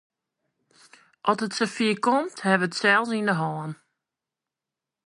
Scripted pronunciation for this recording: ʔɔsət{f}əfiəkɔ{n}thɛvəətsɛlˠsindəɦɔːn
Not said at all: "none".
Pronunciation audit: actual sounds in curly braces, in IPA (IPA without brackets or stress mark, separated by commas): s, m